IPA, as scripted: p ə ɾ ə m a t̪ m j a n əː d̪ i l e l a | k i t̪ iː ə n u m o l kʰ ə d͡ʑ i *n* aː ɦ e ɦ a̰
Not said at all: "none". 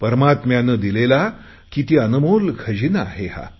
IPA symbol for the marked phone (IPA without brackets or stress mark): n